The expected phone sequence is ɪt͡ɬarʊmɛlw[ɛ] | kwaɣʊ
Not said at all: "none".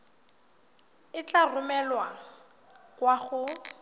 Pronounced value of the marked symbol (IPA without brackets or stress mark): a